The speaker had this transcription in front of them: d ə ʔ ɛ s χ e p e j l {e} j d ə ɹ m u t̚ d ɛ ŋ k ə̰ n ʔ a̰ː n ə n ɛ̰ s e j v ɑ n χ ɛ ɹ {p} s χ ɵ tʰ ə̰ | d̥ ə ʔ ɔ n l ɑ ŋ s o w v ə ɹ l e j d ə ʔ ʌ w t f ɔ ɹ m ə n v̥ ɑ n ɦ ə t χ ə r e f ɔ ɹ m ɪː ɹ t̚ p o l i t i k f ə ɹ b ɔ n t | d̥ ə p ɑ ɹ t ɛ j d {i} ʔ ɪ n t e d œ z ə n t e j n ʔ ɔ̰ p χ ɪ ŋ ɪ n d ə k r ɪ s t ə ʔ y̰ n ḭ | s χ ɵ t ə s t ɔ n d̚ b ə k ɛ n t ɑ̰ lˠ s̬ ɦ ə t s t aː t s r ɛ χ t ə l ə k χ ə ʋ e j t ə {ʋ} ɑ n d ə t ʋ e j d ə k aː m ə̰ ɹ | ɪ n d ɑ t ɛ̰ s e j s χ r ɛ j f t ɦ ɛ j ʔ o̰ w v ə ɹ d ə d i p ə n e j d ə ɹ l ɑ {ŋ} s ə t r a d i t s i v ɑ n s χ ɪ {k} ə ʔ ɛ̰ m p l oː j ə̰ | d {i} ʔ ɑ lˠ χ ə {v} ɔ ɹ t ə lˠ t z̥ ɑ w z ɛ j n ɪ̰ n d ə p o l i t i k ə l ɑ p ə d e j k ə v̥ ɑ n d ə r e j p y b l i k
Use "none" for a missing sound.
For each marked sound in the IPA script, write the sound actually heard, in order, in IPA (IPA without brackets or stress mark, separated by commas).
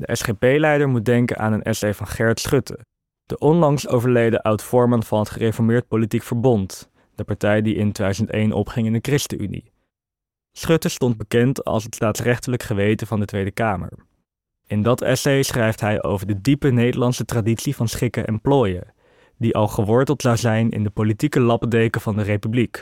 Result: ɛ, t, i, v, n, k, i, ʋ